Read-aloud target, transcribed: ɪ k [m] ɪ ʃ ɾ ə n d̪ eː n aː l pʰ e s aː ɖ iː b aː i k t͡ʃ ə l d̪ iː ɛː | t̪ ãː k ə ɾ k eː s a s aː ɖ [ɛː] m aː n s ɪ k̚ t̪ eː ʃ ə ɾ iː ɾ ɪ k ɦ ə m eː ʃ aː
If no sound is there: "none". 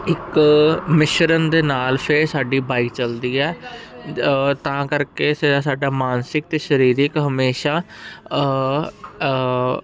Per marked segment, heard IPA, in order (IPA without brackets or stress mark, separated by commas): m, aː